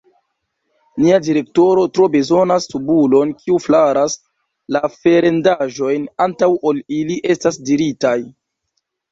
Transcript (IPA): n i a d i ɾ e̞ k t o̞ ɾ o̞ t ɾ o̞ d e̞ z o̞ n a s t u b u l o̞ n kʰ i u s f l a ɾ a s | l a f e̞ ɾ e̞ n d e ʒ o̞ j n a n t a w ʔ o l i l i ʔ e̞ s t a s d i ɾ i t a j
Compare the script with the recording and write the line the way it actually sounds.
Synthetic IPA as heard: n i a d i ɾ e̞ k t o̞ ɾ o̞ t ɾ o̞ b e̞ z o̞ n a s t u b u l o̞ n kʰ i u f l a ɾ a s | l a f e̞ ɾ e̞ n d a ʒ o̞ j n a n t a w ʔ o l i l i ʔ e̞ s t a s d i ɾ i t a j